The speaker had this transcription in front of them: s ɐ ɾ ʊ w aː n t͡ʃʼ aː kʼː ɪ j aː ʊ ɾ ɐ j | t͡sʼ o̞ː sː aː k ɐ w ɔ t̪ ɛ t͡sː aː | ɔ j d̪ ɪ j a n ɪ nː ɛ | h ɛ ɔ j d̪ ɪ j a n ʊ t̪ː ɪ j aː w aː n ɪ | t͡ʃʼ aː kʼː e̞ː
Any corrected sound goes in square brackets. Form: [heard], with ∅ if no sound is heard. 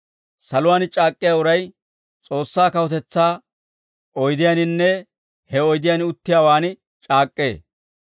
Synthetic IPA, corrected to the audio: s ɐ [l] ʊ w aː n t͡ʃʼ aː kʼː ɪ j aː ʊ ɾ ɐ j | t͡sʼ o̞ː sː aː k ɐ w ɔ t̪ ɛ t͡sː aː | ɔ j d̪ ɪ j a n ɪ nː ɛ | h ɛ ɔ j d̪ ɪ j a n ʊ t̪ː ɪ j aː w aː n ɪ | t͡ʃʼ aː kʼː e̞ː